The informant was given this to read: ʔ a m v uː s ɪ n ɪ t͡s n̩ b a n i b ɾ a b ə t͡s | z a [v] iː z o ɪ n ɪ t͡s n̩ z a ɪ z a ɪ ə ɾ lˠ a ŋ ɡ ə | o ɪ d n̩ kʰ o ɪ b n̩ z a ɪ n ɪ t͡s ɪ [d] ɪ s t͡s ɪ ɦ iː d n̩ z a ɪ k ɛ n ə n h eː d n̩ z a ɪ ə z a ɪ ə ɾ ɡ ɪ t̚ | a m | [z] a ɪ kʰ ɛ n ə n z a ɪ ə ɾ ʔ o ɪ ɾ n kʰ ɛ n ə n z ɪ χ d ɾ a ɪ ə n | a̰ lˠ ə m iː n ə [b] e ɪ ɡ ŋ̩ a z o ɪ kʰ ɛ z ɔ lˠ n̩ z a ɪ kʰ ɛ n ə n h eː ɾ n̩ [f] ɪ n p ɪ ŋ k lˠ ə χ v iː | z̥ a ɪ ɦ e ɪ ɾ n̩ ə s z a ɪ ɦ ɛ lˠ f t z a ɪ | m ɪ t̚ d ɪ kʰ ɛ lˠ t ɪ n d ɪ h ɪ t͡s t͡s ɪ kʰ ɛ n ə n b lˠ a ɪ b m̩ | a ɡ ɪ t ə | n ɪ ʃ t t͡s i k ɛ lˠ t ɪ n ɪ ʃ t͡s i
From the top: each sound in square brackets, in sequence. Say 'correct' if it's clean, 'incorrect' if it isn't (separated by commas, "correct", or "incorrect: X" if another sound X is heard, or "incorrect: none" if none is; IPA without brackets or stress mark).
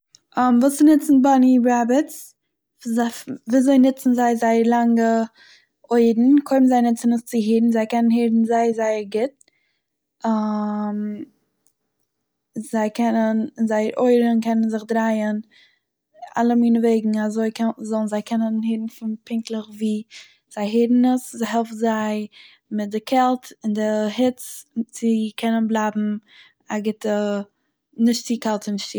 correct, incorrect: n, correct, incorrect: v, correct